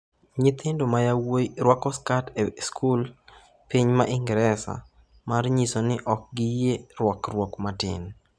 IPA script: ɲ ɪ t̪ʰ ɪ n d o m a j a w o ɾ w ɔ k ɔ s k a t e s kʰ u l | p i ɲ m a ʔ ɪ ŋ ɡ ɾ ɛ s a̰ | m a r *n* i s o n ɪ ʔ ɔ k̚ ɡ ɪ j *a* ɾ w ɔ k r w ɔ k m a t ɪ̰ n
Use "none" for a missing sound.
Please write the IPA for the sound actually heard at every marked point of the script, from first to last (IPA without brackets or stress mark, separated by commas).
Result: ɲ, e